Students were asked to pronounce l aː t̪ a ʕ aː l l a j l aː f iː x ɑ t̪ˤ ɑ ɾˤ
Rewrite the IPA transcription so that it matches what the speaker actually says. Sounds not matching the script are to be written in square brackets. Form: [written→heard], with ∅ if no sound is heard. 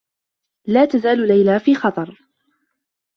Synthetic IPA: l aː t̪ a [ʕ→z] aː l l a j l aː f iː x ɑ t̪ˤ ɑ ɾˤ